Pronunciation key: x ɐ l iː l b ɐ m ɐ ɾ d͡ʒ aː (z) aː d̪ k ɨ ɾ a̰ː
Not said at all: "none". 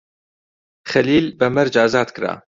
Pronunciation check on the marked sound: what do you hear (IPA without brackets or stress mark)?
z